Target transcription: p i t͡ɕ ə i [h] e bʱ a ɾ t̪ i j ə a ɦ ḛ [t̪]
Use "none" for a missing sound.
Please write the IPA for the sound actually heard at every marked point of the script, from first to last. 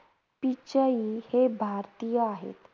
h, t̪

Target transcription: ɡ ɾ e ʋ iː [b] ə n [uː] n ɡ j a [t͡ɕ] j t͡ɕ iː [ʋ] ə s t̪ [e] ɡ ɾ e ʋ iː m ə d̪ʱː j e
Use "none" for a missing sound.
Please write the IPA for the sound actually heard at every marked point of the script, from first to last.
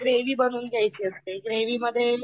b, uː, none, none, e

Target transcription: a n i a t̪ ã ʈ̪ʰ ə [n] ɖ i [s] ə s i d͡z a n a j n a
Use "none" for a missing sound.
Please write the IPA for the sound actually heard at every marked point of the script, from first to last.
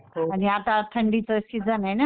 ɳ, t͡s

